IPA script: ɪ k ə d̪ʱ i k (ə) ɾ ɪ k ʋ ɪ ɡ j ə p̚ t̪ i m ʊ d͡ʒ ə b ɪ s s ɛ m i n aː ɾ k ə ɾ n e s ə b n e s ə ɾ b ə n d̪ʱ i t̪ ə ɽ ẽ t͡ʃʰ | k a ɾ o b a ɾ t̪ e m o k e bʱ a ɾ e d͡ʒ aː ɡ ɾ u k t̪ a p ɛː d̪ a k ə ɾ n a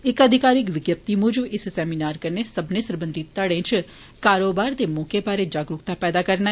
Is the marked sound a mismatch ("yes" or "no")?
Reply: yes